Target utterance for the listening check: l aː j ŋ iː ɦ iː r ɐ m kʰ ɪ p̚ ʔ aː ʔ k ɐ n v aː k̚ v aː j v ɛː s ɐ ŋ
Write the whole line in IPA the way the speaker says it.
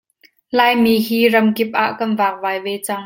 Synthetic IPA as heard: l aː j m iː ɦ iː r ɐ m k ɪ p̚ ʔ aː ʔ k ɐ n v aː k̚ v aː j v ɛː t͡s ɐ ŋ